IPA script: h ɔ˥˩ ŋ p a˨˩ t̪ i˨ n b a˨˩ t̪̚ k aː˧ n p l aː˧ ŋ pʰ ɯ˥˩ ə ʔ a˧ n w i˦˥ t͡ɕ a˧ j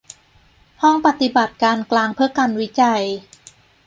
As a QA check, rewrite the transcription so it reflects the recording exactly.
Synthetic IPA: h ɔ˥˩ ŋ p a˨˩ t̪ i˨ b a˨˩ t̪̚ k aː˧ n k l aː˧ ŋ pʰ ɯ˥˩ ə k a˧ n w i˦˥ t͡ɕ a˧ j